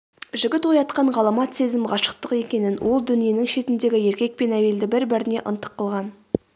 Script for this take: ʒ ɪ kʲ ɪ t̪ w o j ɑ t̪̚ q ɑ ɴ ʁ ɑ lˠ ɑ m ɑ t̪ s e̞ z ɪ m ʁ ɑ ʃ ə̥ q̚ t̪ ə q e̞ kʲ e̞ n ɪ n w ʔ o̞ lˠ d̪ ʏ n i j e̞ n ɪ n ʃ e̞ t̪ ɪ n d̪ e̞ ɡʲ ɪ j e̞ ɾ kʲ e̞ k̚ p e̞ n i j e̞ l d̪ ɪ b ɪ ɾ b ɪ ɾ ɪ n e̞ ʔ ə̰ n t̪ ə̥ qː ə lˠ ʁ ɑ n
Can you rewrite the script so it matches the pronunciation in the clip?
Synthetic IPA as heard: ʒ ɪ ɡʲ ɪ t̪ w o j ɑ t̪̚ q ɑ ɴ ʁ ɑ lˠ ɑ m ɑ t̪ s e̞ z ɪ m ʁ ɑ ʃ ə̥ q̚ t̪ ə q e̞ kʲ e̞ n ɪ n w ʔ o̞ lˠ d̪ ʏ n i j e̞ n ɪ ŋ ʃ e̞ t̪ ɪ n d̪ e̞ ɡʲ ɪ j e̞ ɾ kʲ e̞ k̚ p e̞ n æ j e̞ l d̪ ɪ b ɪ ɾ b ɪ ɾ ɪ n e̞ ʔ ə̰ n t̪ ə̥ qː ə lˠ ʁ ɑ n